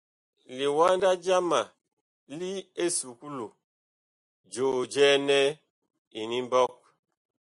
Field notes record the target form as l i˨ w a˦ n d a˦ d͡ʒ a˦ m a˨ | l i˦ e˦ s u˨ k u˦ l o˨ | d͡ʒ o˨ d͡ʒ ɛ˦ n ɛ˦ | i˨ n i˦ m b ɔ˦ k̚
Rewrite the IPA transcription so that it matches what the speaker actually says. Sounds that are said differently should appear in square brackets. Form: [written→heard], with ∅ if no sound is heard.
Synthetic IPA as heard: l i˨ w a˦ n d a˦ d͡ʒ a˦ m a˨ | l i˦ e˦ s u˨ k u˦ l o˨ | d͡ʒ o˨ d͡ʒ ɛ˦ n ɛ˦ | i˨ n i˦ m b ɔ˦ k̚